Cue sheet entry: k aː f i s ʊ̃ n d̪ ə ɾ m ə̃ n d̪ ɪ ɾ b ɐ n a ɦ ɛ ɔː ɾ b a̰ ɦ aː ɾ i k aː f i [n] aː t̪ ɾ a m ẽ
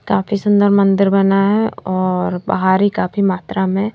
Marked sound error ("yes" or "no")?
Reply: yes